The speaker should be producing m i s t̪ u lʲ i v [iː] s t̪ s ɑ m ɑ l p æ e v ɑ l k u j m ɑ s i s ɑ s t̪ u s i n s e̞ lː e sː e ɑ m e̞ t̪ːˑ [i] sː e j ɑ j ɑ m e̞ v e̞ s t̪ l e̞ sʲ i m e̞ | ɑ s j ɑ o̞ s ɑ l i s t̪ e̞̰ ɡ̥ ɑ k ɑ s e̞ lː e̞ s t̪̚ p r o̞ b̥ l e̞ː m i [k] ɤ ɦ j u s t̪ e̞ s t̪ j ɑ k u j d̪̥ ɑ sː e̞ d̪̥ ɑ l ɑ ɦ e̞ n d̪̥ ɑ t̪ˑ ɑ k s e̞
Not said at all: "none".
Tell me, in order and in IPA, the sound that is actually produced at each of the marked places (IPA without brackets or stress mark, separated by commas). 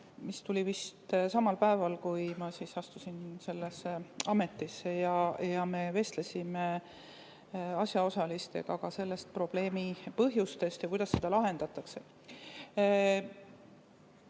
i, i, p